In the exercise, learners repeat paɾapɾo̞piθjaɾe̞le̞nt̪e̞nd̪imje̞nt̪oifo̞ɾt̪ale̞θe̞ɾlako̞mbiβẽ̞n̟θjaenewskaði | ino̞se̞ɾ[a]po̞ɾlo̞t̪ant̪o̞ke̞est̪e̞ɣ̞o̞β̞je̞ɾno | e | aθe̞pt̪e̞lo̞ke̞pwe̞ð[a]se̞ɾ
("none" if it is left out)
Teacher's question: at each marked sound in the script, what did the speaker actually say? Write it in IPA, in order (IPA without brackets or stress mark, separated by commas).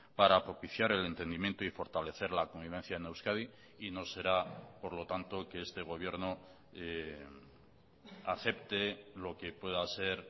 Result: a, a